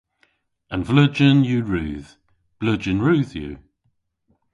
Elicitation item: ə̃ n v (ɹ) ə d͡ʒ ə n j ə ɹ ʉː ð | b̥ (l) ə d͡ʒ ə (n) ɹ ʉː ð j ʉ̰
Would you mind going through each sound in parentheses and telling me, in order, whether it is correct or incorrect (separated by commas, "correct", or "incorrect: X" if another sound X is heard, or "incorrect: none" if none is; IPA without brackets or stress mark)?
incorrect: l, correct, correct